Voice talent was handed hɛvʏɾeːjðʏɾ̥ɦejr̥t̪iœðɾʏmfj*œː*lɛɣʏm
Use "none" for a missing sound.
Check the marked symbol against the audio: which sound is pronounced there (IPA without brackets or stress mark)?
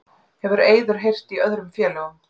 ɛː